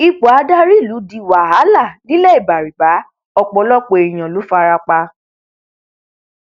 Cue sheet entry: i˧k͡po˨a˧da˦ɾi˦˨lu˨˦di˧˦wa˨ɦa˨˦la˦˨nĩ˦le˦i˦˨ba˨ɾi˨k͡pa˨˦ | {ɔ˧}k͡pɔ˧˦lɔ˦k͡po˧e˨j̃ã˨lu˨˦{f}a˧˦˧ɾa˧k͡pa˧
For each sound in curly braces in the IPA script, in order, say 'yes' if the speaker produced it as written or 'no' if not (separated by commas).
yes, yes